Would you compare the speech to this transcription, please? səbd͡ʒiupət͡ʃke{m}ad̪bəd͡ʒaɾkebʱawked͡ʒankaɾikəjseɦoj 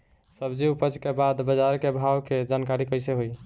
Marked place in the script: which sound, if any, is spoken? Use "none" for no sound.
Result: b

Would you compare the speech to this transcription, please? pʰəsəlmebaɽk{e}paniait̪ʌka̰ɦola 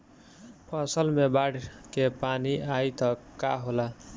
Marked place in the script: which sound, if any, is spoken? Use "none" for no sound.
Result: e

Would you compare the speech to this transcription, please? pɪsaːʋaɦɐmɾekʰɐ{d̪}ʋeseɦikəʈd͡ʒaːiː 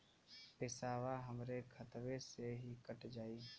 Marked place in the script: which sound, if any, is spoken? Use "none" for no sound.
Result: t̪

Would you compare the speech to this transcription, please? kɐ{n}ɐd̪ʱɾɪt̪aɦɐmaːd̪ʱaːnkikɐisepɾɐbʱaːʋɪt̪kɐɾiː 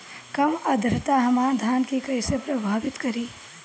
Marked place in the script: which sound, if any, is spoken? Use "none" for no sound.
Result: m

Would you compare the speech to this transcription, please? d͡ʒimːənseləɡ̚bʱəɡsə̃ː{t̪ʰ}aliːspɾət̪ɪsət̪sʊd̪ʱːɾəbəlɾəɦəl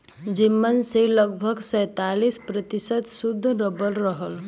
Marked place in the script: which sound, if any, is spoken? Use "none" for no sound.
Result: t̪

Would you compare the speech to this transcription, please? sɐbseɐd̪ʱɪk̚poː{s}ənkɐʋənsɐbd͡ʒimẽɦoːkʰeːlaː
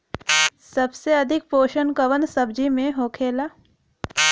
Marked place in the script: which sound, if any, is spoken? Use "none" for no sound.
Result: ʃ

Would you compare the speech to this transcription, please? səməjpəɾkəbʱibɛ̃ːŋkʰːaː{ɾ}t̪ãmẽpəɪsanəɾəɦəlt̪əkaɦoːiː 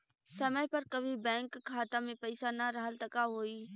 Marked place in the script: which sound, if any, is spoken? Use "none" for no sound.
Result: none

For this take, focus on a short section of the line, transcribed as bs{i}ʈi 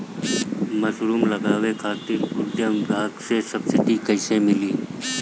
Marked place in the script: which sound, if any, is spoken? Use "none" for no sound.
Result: ɪ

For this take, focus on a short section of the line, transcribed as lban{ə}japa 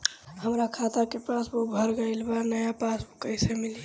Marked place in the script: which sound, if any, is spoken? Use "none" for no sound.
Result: ə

